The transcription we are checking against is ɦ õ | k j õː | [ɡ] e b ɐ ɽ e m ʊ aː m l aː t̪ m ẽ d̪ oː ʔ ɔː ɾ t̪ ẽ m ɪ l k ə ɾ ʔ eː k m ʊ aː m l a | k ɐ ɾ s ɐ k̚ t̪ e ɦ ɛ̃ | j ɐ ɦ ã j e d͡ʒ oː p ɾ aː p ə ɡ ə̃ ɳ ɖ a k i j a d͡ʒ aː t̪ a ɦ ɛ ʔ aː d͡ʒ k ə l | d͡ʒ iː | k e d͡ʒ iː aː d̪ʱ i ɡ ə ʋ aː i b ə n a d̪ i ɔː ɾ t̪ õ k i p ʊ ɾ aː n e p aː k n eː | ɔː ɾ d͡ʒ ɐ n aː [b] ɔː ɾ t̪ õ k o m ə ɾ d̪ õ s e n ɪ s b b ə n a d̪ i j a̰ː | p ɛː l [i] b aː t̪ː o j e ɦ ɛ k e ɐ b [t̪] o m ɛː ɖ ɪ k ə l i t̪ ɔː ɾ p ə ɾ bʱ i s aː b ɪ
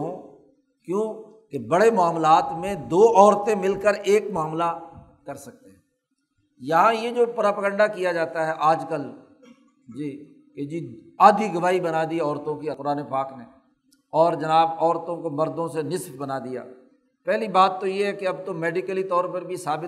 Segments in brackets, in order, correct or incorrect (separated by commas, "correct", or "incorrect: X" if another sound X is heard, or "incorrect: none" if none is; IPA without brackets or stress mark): incorrect: k, correct, correct, correct